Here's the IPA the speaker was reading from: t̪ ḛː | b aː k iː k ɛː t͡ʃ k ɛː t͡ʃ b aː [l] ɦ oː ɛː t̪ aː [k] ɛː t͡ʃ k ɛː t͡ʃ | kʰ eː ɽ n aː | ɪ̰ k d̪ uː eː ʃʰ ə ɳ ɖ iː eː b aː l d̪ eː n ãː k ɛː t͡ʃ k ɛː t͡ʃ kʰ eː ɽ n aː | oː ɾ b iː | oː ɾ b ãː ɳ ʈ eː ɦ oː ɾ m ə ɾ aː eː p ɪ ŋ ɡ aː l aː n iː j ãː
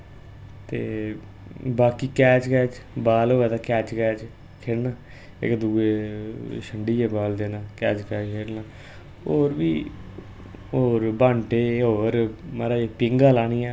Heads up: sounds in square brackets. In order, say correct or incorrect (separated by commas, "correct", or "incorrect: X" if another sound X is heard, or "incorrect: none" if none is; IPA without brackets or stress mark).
correct, correct